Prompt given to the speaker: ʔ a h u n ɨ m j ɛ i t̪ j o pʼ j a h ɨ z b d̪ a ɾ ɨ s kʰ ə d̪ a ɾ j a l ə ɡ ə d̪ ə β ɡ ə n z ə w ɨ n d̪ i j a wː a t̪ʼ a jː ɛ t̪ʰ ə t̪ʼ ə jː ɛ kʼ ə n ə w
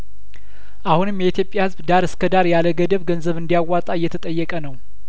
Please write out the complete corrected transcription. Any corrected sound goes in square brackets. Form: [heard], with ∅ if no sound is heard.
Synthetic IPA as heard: ʔ a h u n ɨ m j ɛ i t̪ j o pʼ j a h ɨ z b d̪ a ɾ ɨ s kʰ ə d̪ a ɾ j a l ə ɡ ə d̪ ə β ɡ ə n z ə [β] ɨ n d̪ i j a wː a t̪ʼ a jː ɛ t̪ʰ ə t̪ʼ ə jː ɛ kʼ ə n ə w